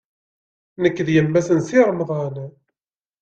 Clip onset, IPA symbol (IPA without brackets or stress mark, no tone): n